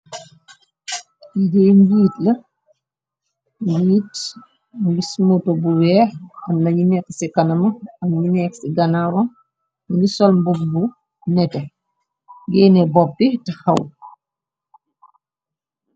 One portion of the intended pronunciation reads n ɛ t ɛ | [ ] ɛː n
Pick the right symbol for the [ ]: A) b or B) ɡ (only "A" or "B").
B